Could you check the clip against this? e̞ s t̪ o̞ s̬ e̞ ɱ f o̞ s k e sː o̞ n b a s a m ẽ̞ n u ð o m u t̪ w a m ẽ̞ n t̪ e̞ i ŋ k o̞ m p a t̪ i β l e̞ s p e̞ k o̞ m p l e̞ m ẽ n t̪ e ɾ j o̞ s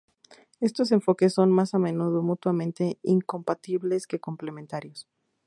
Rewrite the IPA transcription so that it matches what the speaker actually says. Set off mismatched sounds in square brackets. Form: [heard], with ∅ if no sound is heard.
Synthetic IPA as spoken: e̞ s t̪ o̞ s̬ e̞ ɱ f o̞ [∅] k e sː o̞ n [m] a s a m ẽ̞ n u ð o m u t̪ w a m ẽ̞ n t̪ e̞ i ŋ k o̞ m p a t̪ i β l e̞ s [k] e̞ k o̞ m p l e̞ m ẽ n t̪ [a] ɾ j o̞ s